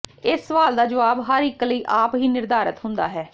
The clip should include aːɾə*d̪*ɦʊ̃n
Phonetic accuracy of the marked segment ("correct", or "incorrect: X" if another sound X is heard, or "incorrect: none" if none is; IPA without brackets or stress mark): incorrect: t̪